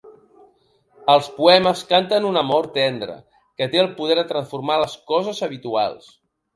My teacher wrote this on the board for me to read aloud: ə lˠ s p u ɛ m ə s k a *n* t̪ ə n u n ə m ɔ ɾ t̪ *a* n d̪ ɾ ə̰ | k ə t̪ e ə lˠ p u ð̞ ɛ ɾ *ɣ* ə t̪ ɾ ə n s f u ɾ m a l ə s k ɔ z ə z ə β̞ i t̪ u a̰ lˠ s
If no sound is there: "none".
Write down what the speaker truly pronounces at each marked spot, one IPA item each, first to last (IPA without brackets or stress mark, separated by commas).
n, ɛ, ð